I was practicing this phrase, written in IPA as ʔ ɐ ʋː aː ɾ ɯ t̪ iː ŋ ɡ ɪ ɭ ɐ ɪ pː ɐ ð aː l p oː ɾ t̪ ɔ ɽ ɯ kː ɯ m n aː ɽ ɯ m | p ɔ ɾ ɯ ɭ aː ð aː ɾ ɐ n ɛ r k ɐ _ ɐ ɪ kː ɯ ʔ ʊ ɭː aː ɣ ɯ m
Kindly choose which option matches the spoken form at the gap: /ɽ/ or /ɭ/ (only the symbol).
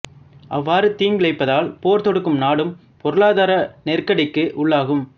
ɽ